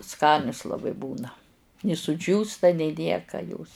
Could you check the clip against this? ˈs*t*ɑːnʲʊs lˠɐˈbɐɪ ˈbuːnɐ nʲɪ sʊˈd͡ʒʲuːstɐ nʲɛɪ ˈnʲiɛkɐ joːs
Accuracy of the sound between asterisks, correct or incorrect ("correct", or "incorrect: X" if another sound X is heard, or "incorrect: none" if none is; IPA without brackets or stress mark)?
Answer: incorrect: k